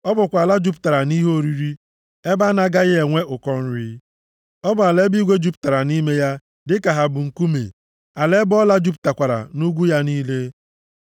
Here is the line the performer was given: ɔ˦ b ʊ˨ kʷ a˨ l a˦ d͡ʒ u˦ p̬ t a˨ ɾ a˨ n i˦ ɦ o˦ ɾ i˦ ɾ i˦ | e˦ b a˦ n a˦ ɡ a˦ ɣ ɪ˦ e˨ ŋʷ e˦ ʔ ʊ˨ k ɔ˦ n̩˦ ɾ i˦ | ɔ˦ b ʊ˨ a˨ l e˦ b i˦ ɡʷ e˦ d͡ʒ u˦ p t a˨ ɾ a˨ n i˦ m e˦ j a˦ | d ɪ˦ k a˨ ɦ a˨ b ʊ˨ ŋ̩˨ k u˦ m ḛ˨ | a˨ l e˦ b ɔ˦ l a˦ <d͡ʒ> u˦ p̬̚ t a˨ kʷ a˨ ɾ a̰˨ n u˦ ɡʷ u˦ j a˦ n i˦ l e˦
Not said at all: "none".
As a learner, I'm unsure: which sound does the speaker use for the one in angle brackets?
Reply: d͡ʒ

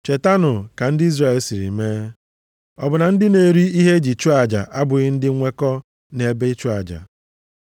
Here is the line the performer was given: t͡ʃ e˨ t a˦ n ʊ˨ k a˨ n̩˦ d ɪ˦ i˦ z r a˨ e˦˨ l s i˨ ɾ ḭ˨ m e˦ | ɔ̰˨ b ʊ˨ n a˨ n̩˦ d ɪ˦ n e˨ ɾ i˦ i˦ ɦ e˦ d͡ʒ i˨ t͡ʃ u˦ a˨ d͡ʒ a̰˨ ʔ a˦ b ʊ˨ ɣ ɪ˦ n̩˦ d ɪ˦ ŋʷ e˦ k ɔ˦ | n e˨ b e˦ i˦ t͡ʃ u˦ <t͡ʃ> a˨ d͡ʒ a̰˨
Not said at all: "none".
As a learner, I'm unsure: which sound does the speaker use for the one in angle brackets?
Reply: none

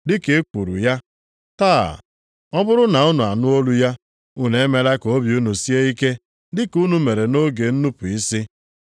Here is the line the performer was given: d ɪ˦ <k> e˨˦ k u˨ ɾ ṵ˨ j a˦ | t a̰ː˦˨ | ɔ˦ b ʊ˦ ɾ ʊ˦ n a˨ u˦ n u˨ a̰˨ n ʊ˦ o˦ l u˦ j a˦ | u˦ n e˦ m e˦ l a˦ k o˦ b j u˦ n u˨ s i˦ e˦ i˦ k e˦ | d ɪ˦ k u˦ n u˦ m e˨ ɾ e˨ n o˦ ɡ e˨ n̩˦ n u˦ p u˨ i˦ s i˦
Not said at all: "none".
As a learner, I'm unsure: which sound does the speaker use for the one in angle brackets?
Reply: k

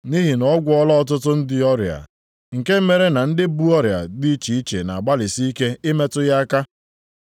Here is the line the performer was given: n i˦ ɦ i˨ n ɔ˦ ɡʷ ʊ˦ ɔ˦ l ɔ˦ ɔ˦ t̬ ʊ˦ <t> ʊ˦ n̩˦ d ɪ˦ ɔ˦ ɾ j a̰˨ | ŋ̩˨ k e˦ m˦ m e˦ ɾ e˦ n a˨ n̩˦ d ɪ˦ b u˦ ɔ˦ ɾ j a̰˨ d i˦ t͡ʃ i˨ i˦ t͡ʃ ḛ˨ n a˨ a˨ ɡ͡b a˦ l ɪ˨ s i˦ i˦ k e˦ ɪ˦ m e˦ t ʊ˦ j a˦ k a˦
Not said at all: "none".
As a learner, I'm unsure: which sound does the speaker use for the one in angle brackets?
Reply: t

